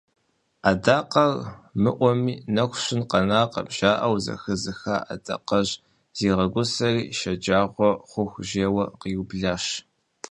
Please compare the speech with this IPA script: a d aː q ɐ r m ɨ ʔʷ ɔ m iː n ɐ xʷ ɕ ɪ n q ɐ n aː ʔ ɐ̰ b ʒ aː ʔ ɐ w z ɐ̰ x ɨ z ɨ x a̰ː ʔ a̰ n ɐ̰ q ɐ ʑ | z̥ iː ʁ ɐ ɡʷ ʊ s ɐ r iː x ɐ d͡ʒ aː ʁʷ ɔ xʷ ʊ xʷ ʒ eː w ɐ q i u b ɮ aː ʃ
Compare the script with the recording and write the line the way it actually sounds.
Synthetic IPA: a d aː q ɐ r m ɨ ʔʷ ɔ m iː n ɐ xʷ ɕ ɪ n q ɐ n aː q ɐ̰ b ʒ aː ʔ ɐ w z ɐ̰ x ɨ z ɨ x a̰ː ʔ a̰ d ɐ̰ q ɐ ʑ | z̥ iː ʁ ɐ ɡʷ ʊ s ɐ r iː ʃ ɐ d͡ʒ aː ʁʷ ɔ χʷ ʊ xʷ ʒ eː w ɐ q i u b ɮ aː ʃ